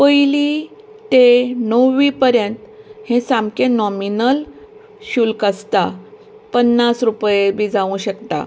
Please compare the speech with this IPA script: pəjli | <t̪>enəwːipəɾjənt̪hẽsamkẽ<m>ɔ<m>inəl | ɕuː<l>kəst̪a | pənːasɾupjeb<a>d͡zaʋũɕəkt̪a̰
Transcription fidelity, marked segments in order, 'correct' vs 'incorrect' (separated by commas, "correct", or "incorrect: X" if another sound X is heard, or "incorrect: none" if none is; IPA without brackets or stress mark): correct, incorrect: n, correct, correct, incorrect: i